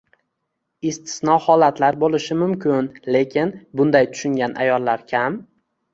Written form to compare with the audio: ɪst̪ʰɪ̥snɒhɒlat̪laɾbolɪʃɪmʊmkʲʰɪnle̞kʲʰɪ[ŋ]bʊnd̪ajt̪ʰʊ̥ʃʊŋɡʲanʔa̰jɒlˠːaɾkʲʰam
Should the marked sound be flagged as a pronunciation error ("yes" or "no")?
yes